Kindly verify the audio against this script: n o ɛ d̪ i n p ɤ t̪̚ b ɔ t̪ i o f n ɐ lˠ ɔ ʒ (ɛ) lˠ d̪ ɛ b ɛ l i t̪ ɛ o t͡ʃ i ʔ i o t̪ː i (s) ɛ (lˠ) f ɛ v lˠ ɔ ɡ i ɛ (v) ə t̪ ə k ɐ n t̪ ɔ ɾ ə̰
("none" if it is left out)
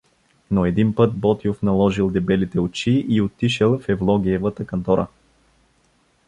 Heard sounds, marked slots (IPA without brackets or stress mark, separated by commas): i, ʃ, lˠ, v